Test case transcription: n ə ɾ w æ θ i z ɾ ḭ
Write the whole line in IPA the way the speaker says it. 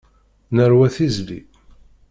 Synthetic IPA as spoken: n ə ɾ w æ θ i z l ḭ